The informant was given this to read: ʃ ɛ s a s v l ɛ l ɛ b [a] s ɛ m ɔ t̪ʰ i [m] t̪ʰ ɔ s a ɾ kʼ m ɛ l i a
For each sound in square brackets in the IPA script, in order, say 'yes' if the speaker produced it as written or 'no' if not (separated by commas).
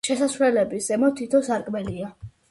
no, no